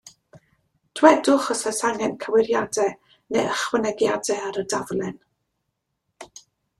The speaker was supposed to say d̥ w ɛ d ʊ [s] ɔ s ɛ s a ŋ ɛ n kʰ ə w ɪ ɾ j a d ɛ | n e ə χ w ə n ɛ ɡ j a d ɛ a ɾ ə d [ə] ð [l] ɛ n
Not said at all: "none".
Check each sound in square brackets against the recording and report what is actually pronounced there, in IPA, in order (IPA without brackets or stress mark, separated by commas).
χ, a, l